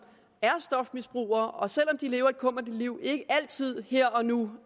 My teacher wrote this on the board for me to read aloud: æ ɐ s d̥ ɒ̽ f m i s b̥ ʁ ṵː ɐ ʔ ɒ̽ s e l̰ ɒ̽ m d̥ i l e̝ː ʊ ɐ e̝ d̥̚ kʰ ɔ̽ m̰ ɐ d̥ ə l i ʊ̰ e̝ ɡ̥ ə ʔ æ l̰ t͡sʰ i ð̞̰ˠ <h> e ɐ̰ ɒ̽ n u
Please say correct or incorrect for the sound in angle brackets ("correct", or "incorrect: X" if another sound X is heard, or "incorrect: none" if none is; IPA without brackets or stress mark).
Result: correct